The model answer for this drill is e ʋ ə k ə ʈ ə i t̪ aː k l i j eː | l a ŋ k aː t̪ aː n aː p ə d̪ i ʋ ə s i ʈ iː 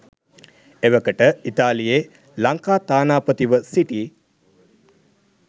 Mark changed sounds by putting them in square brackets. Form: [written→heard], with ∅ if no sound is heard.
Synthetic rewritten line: e ʋ ə k ə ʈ ə i t̪ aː [k→∅] l i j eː | l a ŋ k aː t̪ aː n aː p ə [d̪→t̪] i ʋ ə s i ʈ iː